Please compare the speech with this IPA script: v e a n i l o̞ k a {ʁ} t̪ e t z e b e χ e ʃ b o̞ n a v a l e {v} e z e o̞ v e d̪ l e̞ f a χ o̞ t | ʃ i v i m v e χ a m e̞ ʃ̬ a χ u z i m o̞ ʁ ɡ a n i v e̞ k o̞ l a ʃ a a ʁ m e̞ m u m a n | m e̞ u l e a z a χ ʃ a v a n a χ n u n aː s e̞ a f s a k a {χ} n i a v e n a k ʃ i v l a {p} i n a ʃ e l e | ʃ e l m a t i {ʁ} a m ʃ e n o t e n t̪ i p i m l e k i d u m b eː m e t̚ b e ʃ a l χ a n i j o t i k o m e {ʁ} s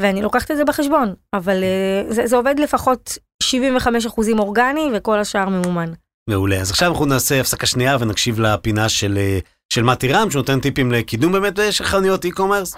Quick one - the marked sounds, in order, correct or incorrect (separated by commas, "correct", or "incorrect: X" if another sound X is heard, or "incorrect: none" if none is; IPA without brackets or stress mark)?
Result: incorrect: χ, incorrect: z, incorrect: ʃ, correct, correct, correct